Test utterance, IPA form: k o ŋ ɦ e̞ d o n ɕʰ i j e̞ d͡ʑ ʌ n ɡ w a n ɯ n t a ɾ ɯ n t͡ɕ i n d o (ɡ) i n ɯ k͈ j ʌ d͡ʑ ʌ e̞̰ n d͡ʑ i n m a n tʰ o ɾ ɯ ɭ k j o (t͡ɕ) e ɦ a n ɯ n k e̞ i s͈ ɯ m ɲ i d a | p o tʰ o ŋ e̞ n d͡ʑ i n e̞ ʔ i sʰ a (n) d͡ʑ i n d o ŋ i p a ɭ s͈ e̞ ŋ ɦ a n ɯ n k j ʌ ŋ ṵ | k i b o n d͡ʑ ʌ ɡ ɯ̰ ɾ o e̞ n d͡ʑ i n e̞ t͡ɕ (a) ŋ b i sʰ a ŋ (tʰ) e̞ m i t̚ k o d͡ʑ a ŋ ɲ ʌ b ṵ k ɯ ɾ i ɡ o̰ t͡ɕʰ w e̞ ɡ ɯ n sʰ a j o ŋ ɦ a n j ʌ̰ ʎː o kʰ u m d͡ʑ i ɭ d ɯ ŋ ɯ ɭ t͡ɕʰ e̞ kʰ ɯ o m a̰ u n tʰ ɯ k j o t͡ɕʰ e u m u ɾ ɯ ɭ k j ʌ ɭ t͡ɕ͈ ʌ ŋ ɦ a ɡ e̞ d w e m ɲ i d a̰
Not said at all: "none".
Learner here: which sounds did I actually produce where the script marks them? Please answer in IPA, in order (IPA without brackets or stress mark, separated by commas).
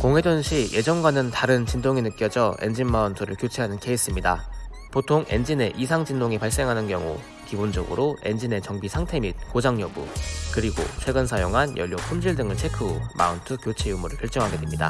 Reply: ŋ, t͡ɕʰ, ŋ, ʌ, tʰ